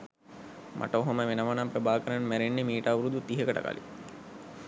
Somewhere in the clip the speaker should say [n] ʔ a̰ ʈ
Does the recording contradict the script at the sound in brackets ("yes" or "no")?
yes